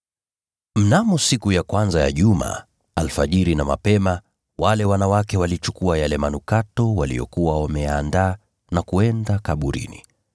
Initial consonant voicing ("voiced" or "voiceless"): voiced